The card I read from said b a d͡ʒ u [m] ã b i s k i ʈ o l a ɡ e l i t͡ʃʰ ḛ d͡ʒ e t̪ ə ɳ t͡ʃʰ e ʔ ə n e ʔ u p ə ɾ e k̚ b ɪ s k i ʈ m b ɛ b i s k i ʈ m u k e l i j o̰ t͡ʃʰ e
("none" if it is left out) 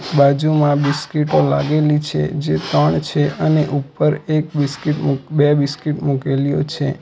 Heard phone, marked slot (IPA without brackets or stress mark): m